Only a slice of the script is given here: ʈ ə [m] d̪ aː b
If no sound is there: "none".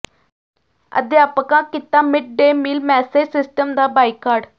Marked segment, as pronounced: m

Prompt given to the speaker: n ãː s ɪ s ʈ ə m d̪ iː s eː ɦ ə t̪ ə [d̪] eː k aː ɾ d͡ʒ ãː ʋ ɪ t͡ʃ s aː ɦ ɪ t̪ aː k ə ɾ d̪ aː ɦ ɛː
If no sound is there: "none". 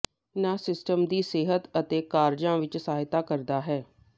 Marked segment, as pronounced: t̪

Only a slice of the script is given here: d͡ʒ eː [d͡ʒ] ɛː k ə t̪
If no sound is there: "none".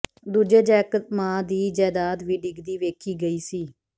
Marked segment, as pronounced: d͡ʒ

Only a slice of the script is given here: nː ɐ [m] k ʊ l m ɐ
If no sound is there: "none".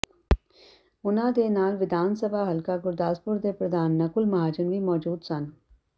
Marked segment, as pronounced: none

